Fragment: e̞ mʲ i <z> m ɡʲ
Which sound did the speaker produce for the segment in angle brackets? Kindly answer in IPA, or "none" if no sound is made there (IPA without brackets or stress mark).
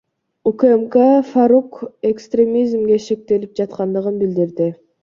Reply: z